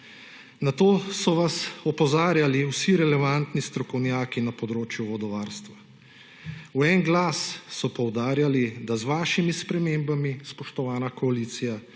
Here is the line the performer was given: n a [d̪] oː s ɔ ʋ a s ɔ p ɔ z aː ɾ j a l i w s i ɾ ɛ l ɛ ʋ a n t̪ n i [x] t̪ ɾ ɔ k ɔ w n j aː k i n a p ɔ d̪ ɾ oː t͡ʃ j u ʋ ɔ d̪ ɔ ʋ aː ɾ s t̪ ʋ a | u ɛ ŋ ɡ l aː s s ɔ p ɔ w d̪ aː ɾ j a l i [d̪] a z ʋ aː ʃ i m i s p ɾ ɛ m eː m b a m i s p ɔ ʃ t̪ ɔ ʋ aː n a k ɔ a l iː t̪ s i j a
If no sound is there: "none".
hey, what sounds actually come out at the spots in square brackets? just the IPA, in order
t̪, s, d̪

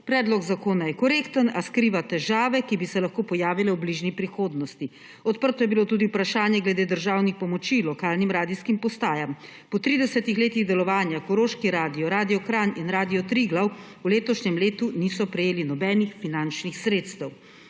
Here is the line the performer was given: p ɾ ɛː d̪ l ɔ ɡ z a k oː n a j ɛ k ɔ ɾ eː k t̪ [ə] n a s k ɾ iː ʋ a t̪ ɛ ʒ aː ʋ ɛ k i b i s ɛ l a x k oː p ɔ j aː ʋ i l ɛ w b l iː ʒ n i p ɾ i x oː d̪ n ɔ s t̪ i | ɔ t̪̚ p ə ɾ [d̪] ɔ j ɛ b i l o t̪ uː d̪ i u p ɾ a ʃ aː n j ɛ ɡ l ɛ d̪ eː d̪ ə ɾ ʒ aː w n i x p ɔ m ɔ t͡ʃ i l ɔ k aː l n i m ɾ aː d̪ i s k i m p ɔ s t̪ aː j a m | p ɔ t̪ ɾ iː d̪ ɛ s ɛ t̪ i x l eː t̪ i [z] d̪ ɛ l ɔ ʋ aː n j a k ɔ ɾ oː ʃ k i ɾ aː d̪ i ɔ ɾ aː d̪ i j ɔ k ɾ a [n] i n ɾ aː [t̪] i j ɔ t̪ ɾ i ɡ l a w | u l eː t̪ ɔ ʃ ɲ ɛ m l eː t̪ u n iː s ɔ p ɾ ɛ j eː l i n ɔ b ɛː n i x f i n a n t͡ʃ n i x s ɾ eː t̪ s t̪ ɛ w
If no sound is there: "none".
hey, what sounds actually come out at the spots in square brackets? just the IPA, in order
ə, t̪, ɣ, n, d̪

